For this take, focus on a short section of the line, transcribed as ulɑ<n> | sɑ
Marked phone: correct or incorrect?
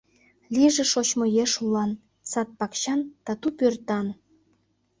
correct